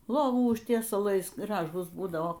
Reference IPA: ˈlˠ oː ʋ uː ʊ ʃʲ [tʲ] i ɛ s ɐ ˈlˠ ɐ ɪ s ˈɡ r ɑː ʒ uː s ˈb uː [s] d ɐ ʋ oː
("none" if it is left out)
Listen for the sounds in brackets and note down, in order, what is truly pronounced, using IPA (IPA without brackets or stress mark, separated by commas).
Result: tʲ, none